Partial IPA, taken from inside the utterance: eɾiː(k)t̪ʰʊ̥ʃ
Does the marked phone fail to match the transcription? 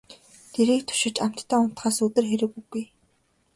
no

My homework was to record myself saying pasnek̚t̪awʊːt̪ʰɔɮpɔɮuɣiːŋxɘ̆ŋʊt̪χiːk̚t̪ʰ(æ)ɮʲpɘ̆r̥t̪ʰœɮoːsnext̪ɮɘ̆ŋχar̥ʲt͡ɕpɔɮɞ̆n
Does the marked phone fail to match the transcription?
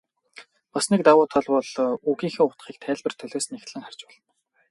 yes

